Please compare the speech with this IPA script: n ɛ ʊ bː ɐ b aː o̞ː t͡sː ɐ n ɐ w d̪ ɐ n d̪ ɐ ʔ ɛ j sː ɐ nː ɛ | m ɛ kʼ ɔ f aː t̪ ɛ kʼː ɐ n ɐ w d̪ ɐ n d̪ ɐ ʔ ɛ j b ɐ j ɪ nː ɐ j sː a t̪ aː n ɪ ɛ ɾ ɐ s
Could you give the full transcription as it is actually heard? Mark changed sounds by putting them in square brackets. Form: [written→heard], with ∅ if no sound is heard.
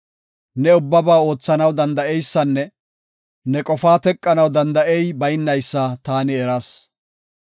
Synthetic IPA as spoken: n ɛ ʊ bː ɐ b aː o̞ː t͡sː ɐ n ɐ w d̪ ɐ n d̪ ɐ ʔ ɛ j sː ɐ nː ɛ | [m→n] ɛ kʼ ɔ f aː t̪ ɛ kʼː ɐ n ɐ w d̪ ɐ n d̪ ɐ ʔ ɛ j b ɐ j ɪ nː ɐ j sː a t̪ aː n ɪ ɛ ɾ ɐ s

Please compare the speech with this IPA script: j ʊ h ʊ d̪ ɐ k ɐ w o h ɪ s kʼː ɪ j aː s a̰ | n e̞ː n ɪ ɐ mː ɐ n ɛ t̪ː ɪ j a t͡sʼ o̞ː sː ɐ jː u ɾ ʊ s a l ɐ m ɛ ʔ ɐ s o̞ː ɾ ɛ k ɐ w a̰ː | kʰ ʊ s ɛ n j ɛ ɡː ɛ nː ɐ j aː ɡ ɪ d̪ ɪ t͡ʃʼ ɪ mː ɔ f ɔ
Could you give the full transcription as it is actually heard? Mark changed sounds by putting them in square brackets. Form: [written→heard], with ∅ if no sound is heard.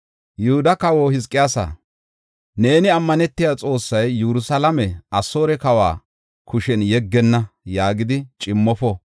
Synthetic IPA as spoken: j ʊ h ʊ d̪ ɐ k ɐ w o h ɪ s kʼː ɪ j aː s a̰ | n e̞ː n ɪ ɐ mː ɐ n ɛ t̪ː ɪ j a t͡sʼ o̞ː sː ɐ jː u ɾ ʊ s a l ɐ m ɛ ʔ ɐ s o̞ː ɾ ɛ k ɐ w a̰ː | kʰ ʊ [s→ʃ] ɛ n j ɛ ɡː ɛ nː ɐ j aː ɡ ɪ d̪ ɪ t͡ʃʼ ɪ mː ɔ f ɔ

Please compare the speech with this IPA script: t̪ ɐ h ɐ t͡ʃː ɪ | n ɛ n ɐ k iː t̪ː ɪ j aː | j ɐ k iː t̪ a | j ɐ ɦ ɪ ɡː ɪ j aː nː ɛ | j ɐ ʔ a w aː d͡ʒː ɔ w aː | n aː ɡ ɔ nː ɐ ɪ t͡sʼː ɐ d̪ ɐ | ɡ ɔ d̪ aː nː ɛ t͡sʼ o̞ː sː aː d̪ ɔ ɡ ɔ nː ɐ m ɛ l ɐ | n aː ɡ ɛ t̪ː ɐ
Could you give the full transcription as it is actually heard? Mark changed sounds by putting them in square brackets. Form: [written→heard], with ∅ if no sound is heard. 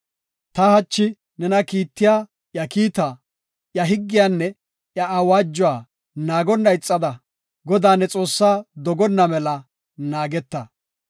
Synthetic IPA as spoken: t̪ ɐ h ɐ t͡ʃː ɪ | n ɛ n ɐ k iː t̪ː ɪ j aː | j ɐ k iː t̪ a | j ɐ ɦ ɪ ɡː ɪ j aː nː ɛ | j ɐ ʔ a w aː d͡ʒː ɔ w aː | n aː ɡ ɔ nː ɐ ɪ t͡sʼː ɐ d̪ ɐ | ɡ ɔ d̪ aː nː ɛ t͡sʼ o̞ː sː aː d̪ ɔ ɡ ɔ nː ɐ m ɛ l ɐ | n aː ɡ ɛ t̪ː ɐ

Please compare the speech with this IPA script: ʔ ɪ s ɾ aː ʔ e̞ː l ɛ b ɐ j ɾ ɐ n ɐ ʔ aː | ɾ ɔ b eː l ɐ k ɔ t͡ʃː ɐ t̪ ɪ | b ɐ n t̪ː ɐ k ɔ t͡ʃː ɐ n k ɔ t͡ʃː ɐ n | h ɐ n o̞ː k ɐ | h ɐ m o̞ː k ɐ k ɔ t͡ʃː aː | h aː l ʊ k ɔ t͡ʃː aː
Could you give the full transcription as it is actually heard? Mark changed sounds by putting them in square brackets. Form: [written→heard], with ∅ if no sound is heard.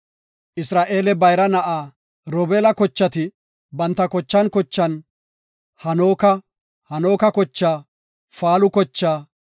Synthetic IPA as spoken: ʔ ɪ s ɾ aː ʔ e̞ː l ɛ b ɐ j ɾ ɐ n ɐ ʔ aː | ɾ ɔ b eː l ɐ k ɔ t͡ʃː ɐ t̪ ɪ | b ɐ n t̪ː ɐ k ɔ t͡ʃː ɐ n k ɔ t͡ʃː ɐ n | h ɐ n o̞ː k ɐ | h ɐ [m→n] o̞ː k ɐ k ɔ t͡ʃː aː | [h→f] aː l ʊ k ɔ t͡ʃː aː

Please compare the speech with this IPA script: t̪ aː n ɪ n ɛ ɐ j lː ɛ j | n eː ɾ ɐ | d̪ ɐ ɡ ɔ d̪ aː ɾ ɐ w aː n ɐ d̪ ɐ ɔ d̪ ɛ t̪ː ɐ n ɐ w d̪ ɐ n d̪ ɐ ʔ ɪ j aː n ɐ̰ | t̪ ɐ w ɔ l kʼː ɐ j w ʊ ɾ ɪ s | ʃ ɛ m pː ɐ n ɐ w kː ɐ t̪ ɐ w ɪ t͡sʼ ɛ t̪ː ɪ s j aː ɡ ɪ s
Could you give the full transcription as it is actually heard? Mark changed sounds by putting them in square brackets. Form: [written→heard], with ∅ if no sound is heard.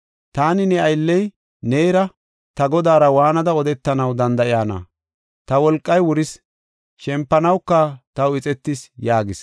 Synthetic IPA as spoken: t̪ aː n ɪ n ɛ ɐ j lː ɛ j | n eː ɾ ɐ | [d̪→t̪] ɐ ɡ ɔ d̪ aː ɾ ɐ w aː n ɐ d̪ ɐ ɔ d̪ ɛ t̪ː ɐ n ɐ w d̪ ɐ n d̪ ɐ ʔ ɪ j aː n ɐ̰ | t̪ ɐ w ɔ l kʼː ɐ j w ʊ ɾ ɪ s | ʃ ɛ m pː ɐ n ɐ w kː ɐ t̪ ɐ w ɪ t͡sʼ ɛ t̪ː ɪ s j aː ɡ ɪ s

